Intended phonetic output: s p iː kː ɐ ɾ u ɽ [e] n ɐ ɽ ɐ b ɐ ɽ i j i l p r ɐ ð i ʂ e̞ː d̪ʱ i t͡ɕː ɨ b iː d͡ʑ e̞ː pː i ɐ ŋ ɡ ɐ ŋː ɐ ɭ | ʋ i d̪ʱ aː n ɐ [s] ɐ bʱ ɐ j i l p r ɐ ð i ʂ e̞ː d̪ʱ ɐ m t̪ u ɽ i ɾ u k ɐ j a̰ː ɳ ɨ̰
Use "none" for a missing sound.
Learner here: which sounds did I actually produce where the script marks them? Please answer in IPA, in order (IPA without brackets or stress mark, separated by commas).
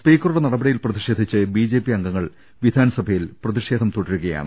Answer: e, s